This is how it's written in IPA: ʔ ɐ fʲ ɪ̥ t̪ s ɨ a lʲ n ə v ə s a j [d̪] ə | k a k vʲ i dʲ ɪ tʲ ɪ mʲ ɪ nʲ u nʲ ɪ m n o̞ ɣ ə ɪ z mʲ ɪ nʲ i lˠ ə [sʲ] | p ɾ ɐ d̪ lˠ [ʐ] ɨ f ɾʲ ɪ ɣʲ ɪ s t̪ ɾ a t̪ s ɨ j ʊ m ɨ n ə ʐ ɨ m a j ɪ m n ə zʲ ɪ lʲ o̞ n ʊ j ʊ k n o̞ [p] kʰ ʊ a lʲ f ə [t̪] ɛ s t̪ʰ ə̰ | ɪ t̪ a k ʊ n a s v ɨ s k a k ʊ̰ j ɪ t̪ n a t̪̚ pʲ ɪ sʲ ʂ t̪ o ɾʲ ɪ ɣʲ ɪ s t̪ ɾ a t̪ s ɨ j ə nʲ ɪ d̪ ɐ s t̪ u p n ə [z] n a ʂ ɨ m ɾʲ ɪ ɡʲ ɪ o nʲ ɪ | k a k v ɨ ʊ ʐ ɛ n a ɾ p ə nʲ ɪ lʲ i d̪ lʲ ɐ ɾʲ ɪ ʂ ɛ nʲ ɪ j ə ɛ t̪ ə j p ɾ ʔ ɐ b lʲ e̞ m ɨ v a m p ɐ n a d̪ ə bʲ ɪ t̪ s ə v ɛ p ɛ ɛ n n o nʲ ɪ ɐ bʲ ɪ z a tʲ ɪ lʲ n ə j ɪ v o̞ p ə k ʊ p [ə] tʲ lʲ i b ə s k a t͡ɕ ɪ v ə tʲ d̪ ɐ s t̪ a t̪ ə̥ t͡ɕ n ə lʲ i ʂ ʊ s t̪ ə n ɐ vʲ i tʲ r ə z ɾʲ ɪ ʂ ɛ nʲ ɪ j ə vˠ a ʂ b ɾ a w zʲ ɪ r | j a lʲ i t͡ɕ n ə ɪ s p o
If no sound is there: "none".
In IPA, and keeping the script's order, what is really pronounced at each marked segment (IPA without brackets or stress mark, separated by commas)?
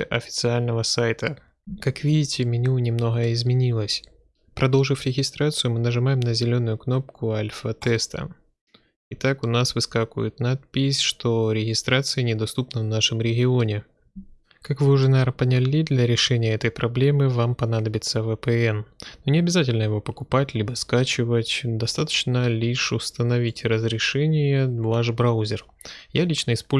t̪, sʲ, ʐ, p, t̪, v, a